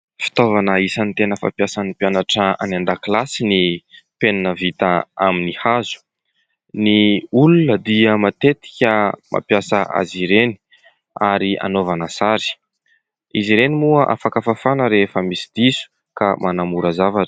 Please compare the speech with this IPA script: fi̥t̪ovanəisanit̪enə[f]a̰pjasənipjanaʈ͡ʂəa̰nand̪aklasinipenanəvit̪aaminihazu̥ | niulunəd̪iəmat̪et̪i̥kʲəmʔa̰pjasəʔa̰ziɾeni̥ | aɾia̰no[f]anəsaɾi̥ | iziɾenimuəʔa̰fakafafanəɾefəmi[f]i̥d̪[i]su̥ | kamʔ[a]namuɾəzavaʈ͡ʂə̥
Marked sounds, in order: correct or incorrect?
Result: correct, incorrect, incorrect, correct, correct

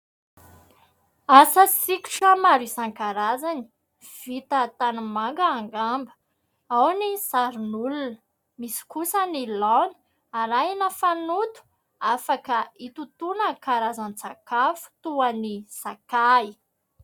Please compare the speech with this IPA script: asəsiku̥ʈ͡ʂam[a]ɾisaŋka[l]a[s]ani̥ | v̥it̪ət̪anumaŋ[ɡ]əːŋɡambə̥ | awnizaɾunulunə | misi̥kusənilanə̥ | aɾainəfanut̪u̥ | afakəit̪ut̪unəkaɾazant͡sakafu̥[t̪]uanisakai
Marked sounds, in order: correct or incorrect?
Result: correct, incorrect, incorrect, correct, correct

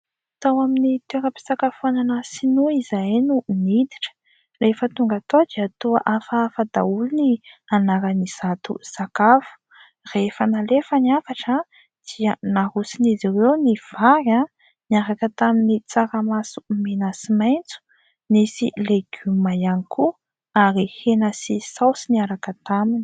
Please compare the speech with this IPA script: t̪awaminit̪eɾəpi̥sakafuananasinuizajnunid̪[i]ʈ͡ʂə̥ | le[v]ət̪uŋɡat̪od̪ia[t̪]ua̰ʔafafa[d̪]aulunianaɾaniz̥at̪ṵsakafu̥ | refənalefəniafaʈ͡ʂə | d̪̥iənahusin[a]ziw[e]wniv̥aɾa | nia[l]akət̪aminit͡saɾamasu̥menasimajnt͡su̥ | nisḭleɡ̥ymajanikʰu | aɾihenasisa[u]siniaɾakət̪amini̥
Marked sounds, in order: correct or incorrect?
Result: correct, incorrect, correct, correct, incorrect, correct, incorrect, incorrect

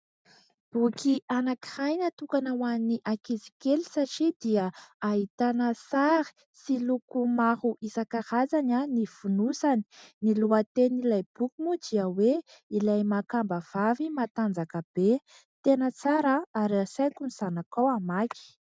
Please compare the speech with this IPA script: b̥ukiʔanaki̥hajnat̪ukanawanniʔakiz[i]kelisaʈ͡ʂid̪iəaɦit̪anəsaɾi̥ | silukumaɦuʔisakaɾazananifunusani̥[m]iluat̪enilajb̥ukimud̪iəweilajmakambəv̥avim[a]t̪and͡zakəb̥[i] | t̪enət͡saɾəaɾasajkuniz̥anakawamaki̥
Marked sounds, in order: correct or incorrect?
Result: correct, incorrect, correct, incorrect

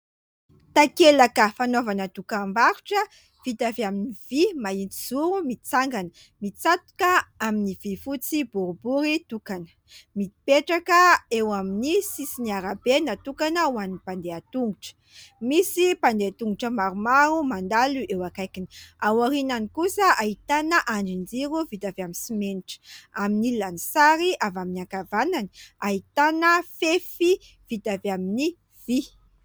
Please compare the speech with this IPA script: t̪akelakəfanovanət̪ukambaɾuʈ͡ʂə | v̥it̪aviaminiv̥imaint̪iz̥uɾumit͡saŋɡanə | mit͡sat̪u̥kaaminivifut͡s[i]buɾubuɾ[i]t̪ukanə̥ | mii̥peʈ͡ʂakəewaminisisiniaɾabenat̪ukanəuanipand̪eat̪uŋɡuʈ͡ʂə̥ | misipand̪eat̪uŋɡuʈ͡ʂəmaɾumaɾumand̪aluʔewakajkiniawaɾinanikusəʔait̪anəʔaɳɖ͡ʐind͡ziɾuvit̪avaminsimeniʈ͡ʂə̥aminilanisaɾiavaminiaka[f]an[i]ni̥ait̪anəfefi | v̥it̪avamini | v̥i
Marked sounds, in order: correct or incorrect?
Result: correct, correct, incorrect, incorrect

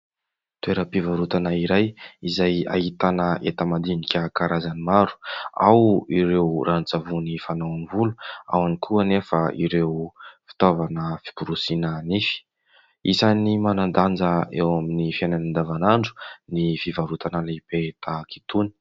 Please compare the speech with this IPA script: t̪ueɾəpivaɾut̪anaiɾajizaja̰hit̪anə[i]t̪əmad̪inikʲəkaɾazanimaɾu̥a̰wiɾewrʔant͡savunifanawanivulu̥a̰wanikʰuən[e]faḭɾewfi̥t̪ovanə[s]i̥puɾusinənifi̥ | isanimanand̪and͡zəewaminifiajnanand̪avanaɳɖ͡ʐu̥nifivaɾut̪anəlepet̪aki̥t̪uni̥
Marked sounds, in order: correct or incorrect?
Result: incorrect, correct, incorrect

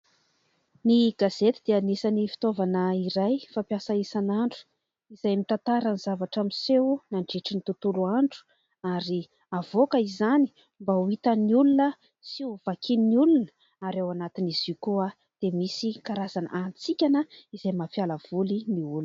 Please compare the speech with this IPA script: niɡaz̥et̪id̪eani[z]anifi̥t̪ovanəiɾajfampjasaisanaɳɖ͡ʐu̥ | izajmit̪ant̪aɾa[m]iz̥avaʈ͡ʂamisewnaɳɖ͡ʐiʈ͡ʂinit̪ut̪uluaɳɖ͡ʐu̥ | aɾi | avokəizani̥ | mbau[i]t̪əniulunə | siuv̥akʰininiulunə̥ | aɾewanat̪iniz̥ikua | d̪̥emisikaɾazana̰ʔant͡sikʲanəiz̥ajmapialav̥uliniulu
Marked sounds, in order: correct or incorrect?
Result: incorrect, incorrect, correct

